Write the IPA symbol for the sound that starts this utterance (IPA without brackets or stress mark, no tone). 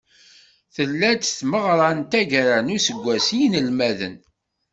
θ